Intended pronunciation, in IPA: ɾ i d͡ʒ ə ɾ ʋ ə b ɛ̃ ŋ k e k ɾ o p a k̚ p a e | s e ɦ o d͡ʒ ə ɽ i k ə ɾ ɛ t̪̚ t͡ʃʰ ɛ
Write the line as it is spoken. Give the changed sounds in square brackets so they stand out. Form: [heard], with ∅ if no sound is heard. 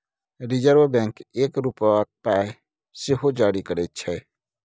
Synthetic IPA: ɾ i d͡ʒ ə ɾ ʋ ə b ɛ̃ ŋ k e k ɾ [u] p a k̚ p a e | s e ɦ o d͡ʒ [a] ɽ i k ə ɾ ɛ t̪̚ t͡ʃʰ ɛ